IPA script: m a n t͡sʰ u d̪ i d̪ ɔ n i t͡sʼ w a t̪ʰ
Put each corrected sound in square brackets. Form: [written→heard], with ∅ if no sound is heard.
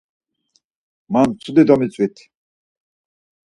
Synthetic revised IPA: m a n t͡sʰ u d̪ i d̪ ɔ [n→m] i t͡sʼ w [a→i] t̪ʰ

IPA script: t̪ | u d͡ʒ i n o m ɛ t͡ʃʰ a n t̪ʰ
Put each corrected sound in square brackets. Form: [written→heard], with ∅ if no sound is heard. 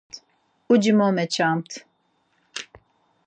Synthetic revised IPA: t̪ | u d͡ʒ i [n→m] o m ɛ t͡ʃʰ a [n→m] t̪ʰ

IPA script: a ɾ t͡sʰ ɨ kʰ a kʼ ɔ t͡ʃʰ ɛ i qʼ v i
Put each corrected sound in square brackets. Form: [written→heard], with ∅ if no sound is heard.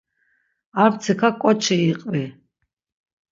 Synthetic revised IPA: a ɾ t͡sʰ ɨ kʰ a kʼ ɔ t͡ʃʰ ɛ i qʼ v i

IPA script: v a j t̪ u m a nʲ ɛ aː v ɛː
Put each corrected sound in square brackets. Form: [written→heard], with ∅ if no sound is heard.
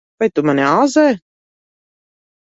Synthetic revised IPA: v a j t̪ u m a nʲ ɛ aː [v→z] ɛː

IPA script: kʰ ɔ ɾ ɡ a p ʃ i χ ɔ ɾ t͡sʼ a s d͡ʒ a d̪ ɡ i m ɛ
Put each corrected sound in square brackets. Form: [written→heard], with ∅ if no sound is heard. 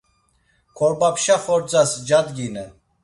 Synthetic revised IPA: kʰ ɔ ɾ [ɡ→b] a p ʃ [i→a] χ ɔ ɾ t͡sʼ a s d͡ʒ a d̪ ɡ i [m→n] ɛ

